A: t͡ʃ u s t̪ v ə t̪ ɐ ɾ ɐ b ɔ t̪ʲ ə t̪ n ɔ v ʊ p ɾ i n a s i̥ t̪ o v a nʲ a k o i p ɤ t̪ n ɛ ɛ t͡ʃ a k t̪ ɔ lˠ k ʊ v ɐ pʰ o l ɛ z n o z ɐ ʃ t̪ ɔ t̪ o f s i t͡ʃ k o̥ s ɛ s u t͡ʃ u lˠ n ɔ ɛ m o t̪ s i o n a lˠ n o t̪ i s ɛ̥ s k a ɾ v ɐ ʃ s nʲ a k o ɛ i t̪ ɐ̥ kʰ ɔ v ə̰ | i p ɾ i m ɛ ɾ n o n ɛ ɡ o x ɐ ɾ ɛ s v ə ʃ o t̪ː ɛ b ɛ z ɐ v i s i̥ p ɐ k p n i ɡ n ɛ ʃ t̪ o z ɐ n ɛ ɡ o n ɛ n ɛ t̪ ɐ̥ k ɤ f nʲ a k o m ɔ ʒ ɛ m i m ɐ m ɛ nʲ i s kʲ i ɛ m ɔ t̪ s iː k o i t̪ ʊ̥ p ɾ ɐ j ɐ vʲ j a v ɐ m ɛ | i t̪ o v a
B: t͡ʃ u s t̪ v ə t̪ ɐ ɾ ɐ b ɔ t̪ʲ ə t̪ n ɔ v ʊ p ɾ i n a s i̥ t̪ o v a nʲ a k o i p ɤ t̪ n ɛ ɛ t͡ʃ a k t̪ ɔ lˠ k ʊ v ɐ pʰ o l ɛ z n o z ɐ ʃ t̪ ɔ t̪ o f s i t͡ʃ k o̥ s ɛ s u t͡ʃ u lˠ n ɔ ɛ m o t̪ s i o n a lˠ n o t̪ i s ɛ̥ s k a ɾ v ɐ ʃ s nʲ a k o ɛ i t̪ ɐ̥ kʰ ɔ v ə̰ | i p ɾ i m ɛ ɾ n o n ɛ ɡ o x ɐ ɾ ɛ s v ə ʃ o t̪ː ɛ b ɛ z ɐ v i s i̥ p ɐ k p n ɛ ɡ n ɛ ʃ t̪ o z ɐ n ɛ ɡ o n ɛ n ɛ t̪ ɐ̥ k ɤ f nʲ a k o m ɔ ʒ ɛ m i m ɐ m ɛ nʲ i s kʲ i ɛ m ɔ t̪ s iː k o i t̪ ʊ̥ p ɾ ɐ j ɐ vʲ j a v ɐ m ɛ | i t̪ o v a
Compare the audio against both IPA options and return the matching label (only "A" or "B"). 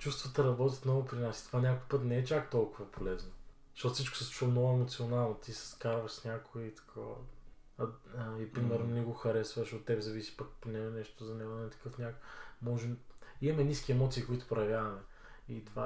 B